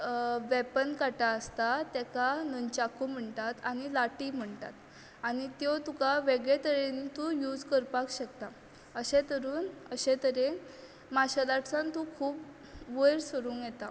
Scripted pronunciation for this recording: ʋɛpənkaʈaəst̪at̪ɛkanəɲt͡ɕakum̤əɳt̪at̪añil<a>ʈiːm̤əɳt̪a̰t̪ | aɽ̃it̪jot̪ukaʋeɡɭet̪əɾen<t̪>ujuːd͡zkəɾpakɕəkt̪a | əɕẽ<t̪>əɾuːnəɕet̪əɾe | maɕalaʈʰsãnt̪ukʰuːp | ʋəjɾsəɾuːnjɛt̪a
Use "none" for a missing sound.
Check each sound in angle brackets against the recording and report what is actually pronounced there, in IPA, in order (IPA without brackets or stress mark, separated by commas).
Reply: a, t̪, t̪